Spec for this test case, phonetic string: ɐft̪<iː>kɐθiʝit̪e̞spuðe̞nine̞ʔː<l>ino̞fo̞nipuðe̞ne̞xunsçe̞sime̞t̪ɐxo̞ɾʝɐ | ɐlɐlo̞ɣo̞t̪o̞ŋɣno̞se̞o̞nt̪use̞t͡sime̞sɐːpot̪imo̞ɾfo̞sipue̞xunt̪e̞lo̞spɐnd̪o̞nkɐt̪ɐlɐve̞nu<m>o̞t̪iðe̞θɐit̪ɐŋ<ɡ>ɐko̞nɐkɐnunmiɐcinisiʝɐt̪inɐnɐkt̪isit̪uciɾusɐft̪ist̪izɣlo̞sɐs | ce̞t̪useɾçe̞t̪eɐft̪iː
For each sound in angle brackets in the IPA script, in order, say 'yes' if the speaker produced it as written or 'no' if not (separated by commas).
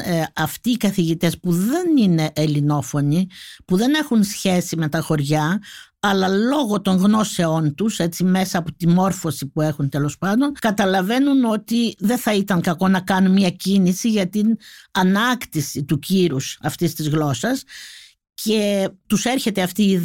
yes, yes, no, no